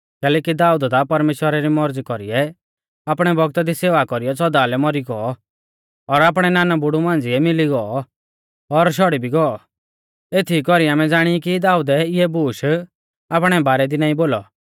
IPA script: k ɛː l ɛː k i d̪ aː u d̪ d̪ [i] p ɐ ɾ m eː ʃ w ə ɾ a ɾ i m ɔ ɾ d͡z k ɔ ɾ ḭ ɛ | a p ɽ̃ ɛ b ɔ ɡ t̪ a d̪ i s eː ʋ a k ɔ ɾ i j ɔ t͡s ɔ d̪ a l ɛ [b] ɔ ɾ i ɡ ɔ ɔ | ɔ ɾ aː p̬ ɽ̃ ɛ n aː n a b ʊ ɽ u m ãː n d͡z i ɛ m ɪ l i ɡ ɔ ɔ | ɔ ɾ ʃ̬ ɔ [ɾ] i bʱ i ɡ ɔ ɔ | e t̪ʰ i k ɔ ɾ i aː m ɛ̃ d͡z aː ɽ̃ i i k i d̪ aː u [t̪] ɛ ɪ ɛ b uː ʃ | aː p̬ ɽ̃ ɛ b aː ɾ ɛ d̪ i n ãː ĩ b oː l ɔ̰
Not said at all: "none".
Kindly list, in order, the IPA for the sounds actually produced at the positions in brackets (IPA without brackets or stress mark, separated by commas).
a, m, ɽ, d̪